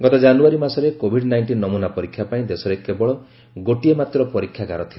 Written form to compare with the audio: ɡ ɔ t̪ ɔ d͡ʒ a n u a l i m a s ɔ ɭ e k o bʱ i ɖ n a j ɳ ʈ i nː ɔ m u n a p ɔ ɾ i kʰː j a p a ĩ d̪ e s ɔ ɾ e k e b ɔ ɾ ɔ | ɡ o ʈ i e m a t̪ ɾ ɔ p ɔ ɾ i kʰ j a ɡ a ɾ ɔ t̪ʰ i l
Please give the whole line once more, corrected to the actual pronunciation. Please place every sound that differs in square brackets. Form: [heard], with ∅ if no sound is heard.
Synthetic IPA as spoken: ɡ ɔ t̪ ɔ d͡ʒ a n u a [ɾ] i m a s ɔ [ɾ] e k o bʱ i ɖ n a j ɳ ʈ i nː ɔ m u n a p ɔ ɾ i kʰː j a p a ĩ d̪ e s ɔ ɾ e k e b ɔ [ɭ] ɔ | ɡ o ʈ i e m a t̪ ɾ ɔ p ɔ ɾ i kʰ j a ɡ a ɾ ɔ t̪ʰ i l